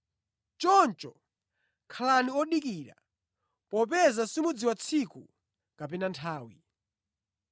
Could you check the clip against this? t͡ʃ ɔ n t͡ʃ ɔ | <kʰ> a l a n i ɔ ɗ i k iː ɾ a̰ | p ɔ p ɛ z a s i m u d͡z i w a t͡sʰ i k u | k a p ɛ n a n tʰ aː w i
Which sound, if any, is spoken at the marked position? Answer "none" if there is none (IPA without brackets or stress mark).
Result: kʰ